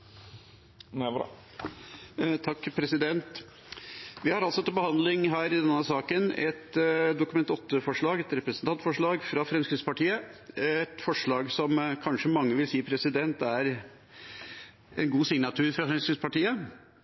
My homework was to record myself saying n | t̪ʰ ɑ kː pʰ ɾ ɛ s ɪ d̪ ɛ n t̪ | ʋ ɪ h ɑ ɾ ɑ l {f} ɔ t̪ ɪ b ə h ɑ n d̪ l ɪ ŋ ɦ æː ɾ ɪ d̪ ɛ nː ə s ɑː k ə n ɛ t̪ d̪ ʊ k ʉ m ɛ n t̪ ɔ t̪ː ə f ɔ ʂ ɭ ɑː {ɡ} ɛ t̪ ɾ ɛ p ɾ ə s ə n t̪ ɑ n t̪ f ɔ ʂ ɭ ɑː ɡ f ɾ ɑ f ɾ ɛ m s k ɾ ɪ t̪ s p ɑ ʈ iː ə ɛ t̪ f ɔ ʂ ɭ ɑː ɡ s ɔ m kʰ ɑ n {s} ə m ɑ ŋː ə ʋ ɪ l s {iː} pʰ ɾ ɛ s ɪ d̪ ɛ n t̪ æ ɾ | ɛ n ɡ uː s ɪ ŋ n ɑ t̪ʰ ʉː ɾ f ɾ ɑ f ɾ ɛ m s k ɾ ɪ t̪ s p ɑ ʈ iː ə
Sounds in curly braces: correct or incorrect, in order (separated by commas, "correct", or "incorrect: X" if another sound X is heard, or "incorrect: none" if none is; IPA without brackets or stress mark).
incorrect: s, correct, incorrect: ʂ, correct